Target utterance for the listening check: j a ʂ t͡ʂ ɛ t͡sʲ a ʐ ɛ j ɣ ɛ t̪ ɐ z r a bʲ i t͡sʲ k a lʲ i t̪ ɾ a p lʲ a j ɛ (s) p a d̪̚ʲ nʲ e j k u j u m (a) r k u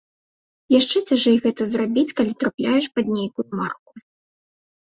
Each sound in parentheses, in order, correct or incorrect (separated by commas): incorrect, correct